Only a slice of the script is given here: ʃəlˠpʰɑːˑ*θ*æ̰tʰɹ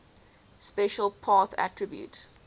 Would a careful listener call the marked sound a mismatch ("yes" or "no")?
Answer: no